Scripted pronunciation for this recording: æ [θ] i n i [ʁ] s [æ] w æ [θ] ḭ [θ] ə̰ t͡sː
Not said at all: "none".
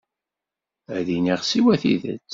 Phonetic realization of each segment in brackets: ð, ʁ, i, θ, ð

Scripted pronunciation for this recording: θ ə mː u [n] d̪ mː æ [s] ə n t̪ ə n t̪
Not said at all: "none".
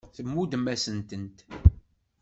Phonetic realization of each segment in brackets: none, s

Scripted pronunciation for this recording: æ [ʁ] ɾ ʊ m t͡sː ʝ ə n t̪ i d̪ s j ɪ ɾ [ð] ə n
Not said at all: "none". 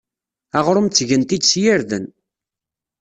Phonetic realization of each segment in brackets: ʁ, ð

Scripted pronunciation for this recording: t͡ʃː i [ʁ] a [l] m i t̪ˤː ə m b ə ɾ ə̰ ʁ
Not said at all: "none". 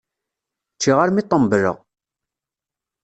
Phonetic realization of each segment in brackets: ʁ, ɾ

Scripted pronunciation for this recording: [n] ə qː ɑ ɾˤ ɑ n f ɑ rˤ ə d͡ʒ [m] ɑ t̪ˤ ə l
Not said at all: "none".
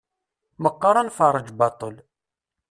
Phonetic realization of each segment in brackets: m, b

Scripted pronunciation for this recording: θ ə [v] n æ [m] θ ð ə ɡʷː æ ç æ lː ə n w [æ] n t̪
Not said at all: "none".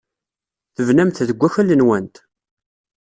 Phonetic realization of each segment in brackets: v, m, æ

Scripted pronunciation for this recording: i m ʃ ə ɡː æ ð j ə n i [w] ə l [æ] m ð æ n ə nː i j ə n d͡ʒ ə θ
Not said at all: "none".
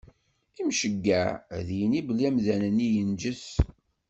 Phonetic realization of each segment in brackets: b, æ

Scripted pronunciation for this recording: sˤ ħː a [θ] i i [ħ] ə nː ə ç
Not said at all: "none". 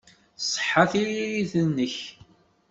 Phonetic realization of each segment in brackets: θ, θ

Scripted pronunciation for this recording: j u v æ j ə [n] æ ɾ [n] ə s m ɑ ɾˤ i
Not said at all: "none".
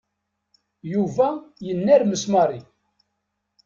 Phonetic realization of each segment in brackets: nː, m

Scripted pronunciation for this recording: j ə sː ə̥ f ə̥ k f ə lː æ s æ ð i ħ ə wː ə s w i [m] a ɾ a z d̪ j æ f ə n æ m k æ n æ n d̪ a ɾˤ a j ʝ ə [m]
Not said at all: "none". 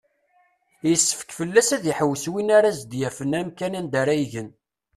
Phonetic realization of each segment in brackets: n, n

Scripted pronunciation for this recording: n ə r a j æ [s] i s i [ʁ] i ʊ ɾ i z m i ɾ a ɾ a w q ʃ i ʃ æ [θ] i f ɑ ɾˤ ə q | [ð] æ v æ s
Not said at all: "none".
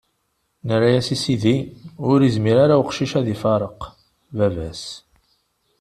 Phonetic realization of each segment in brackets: s, ð, ð, v

